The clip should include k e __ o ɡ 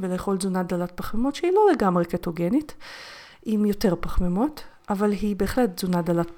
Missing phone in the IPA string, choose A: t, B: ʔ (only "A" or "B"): A